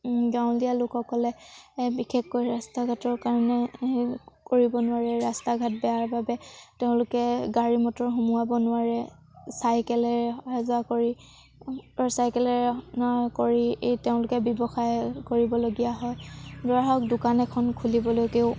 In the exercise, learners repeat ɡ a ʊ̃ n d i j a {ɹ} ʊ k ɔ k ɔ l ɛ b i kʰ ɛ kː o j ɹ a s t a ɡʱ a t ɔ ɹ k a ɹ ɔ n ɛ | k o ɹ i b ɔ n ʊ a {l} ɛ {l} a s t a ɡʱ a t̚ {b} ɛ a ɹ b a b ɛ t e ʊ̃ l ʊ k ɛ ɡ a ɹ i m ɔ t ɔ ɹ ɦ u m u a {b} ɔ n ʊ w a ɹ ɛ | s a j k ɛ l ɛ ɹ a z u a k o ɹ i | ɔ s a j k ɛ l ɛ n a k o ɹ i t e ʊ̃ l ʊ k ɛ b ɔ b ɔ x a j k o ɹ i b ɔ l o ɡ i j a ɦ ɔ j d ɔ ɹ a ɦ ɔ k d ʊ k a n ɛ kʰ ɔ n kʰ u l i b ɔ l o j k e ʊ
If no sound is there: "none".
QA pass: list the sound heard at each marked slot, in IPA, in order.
l, ɹ, ɹ, b, b

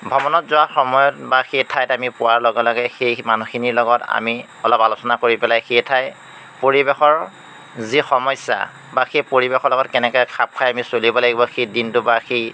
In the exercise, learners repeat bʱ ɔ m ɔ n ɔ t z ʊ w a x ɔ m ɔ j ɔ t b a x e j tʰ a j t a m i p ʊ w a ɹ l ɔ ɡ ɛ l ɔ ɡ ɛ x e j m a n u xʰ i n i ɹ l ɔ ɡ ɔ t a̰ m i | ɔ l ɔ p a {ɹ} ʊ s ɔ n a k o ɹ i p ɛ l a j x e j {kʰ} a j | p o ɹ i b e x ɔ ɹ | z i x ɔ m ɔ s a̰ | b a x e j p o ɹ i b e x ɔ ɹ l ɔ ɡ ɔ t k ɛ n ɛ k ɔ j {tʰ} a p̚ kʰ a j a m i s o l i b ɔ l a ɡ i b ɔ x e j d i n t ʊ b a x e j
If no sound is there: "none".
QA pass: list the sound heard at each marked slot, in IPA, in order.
l, tʰ, kʰ

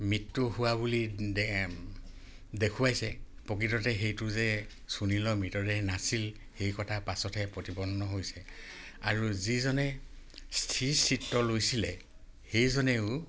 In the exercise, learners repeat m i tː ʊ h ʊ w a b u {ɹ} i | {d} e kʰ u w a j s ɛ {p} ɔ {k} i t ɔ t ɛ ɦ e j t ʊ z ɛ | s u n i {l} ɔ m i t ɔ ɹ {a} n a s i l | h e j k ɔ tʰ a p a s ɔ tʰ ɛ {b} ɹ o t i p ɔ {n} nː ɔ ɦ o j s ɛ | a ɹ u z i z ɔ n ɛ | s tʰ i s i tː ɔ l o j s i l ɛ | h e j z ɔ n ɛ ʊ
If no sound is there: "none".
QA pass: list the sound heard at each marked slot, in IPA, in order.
l, d, p, k, l, ɛ, p, n

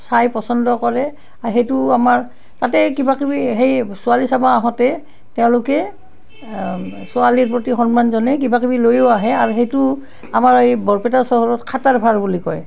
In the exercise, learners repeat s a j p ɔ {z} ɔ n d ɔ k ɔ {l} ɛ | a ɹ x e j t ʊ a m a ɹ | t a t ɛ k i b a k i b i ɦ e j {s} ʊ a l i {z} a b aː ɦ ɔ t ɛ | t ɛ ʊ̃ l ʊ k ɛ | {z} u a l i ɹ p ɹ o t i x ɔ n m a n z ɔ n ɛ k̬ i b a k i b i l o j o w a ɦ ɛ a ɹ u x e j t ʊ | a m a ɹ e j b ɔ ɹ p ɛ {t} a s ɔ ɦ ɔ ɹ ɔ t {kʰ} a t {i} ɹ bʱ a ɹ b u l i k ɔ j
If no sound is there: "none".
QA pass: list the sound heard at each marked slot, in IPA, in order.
s, ɹ, s, s, s, t, kʰ, a

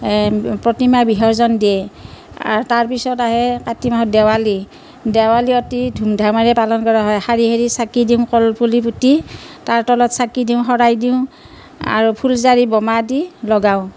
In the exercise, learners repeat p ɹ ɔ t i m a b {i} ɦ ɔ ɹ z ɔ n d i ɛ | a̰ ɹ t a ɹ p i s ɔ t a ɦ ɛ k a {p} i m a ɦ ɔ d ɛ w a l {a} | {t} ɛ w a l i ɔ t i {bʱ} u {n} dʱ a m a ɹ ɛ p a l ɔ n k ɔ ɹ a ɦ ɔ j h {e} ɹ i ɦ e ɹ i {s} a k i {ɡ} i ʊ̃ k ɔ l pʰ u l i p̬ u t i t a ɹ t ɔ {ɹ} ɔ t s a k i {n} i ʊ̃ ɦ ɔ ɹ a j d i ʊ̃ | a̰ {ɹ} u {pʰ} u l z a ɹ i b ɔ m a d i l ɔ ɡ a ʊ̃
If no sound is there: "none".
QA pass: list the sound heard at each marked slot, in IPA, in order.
i, t, i, d, dʱ, m, a, s, d, l, d, ɹ, pʰ

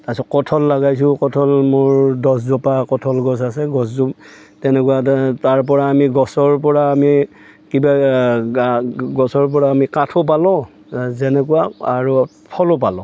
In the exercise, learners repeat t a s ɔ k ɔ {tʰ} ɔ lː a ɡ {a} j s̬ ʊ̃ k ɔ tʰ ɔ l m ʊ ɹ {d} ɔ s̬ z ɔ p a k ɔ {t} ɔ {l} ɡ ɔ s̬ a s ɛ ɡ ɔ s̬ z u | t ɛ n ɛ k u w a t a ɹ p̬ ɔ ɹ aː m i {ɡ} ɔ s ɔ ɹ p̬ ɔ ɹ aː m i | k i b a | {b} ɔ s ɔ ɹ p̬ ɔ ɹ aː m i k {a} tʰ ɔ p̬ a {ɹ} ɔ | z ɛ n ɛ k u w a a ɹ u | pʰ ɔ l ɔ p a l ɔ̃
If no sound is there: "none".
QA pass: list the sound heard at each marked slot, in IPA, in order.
tʰ, a, d, tʰ, l, ɡ, ɡ, a, l

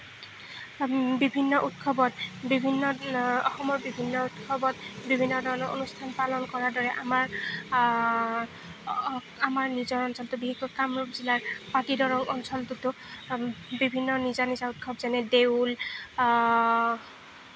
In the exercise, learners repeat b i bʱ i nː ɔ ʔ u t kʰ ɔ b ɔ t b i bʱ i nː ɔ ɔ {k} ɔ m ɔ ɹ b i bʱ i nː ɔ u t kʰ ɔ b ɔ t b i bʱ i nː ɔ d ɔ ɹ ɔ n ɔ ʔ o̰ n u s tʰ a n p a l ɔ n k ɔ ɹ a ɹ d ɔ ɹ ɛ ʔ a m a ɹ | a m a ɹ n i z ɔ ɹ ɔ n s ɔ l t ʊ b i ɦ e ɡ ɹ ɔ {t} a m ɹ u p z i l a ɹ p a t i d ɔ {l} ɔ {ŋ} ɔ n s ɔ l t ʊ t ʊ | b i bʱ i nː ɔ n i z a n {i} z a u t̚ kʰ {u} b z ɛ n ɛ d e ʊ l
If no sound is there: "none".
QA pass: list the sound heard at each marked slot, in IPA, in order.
x, k, ɹ, ŋ, i, ɔ

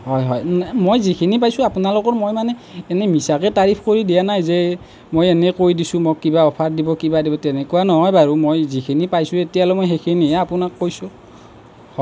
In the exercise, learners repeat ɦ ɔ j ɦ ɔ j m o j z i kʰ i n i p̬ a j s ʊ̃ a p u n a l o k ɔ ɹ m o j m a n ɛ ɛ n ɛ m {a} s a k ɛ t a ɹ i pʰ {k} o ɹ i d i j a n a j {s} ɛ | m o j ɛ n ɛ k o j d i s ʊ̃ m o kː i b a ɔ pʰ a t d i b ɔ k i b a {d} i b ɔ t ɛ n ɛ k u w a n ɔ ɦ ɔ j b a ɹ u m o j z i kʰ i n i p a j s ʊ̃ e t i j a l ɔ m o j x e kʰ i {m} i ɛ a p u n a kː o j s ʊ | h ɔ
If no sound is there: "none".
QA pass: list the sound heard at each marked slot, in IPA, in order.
i, k, z, d, n

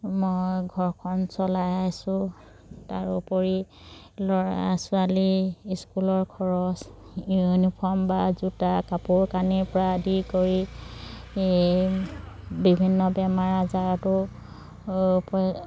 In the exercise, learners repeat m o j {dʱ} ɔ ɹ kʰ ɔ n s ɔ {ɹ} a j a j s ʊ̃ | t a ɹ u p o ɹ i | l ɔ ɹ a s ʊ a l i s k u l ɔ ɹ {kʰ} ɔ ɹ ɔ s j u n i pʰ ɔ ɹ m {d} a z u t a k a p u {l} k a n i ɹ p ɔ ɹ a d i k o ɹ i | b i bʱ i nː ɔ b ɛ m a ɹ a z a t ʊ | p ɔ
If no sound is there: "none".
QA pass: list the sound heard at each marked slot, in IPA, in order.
ɡʱ, l, kʰ, b, ɹ

